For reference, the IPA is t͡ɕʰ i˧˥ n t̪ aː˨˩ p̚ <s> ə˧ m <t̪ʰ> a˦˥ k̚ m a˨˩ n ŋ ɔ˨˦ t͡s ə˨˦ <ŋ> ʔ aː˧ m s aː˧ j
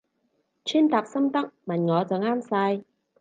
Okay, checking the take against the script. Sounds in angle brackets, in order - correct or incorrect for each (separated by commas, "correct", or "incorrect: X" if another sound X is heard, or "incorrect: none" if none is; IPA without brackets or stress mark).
correct, incorrect: t̪, correct